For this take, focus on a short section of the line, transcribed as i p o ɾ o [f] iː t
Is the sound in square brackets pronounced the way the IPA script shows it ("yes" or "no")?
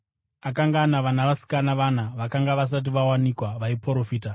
yes